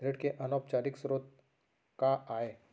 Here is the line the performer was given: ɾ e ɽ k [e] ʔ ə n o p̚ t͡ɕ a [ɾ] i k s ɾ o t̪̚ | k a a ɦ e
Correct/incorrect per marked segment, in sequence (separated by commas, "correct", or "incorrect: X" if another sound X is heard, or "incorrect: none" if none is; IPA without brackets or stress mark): correct, correct